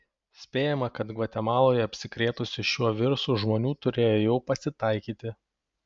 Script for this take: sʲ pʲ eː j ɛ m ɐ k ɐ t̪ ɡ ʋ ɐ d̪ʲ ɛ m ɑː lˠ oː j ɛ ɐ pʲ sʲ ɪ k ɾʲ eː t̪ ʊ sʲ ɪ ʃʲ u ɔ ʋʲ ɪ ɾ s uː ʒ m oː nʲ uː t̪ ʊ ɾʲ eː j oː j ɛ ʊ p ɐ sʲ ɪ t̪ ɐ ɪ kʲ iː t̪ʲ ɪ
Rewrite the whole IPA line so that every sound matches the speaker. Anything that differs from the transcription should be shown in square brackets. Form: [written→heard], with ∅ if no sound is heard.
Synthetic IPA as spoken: sʲ pʲ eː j ɛ m ɐ k ɐ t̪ ɡ ʋ ɐ [d̪ʲ→t̪ʲ] ɛ m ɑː lˠ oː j ɛ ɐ pʲ sʲ ɪ k ɾʲ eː t̪ ʊ sʲ ɪ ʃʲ u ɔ ʋʲ ɪ ɾ s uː ʒ m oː nʲ uː t̪ ʊ ɾʲ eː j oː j ɛ ʊ p ɐ sʲ ɪ t̪ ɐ ɪ kʲ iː t̪ʲ ɪ